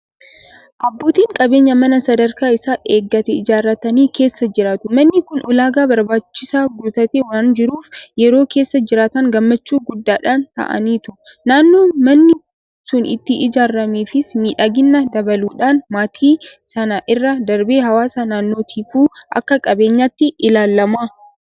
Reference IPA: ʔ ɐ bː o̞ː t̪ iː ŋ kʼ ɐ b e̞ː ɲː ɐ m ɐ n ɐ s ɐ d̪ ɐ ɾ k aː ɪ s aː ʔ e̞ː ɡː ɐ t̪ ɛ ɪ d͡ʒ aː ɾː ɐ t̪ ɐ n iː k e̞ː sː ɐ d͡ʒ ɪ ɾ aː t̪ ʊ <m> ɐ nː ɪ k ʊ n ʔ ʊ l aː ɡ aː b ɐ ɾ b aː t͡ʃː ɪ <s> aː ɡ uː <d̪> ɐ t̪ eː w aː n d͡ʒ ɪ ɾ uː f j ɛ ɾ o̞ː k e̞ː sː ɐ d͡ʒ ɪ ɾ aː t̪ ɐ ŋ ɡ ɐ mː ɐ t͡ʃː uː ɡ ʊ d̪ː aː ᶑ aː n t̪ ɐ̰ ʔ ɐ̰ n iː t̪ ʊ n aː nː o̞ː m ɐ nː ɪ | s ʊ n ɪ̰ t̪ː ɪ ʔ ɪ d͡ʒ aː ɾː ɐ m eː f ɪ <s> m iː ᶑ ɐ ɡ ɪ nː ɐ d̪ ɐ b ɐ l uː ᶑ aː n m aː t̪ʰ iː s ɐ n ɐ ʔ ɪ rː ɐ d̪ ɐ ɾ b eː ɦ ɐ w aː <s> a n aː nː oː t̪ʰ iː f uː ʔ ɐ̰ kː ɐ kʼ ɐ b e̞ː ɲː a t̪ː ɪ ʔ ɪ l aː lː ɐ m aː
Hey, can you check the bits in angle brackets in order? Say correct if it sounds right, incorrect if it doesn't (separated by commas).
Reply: correct, correct, incorrect, correct, correct